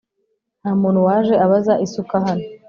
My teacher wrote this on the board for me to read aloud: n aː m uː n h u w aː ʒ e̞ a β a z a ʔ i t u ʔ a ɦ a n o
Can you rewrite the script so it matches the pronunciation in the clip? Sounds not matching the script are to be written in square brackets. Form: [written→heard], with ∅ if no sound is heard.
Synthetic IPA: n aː m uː n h u w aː ʒ e̞ a β a z a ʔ i [t→s] u [ʔ→k] a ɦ a n o

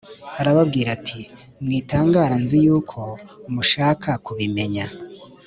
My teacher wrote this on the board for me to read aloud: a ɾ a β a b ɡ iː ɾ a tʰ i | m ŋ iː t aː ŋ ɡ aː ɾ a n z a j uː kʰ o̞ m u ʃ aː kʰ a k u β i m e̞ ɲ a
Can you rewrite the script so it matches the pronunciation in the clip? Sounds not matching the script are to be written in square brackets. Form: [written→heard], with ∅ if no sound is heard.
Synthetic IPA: a ɾ a β a b ɡ iː ɾ a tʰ i | m ŋ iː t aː ŋ ɡ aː ɾ a n z [a→i] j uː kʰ o̞ m u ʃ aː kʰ a k u β i m e̞ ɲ a

